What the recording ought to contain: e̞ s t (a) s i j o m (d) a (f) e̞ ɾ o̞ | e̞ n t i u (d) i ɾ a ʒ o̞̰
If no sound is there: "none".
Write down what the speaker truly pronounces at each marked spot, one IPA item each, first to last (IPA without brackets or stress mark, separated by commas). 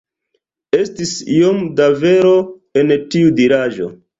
i, d, v, d